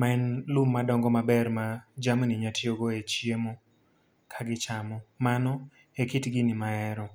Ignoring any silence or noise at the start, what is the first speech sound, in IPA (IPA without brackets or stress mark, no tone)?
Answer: m